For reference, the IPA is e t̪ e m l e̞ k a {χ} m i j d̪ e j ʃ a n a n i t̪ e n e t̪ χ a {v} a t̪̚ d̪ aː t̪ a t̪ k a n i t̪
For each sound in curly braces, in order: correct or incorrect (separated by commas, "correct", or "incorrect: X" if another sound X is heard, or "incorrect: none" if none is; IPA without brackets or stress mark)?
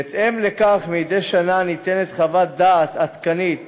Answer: correct, correct